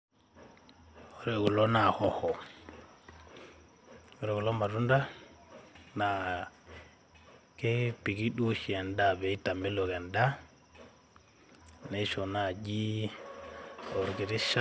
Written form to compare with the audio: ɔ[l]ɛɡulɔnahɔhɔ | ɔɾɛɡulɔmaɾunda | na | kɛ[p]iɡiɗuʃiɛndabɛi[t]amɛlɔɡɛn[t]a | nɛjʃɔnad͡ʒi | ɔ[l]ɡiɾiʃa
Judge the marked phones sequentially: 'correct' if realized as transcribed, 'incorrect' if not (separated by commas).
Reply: incorrect, correct, correct, incorrect, incorrect